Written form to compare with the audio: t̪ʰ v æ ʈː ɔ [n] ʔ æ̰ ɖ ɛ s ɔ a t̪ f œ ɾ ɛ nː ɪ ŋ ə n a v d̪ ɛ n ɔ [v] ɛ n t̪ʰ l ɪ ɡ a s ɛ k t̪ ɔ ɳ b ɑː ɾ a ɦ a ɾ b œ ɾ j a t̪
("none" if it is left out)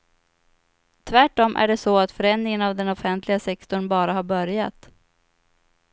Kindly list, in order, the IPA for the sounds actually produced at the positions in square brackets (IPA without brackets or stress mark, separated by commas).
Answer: m, f